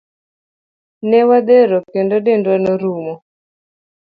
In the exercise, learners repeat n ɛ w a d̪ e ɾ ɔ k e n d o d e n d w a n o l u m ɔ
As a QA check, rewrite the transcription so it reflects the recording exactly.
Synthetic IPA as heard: n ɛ w a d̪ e ɾ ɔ k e n d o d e n d w a n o ɾ u m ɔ